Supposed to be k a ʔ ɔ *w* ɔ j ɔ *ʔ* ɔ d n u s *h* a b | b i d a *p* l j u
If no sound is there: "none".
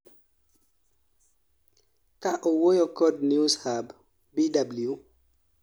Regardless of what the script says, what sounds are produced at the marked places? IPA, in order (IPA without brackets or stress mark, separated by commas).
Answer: w, k, h, b